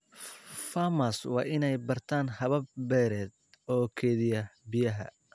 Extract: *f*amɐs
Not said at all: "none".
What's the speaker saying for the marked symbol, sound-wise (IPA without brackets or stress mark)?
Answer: f